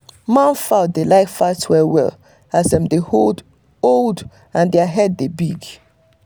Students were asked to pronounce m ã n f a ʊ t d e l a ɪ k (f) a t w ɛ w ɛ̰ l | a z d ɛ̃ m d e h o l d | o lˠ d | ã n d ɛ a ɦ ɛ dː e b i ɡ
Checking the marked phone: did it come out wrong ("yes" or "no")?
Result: no